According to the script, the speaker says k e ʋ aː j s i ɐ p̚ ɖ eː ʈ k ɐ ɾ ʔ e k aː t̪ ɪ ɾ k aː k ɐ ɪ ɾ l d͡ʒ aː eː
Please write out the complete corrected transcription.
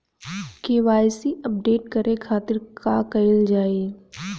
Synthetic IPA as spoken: k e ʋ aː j s i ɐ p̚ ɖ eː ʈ k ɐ ɾ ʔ e kʰ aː t̪ ɪ ɾ k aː k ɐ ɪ l d͡ʒ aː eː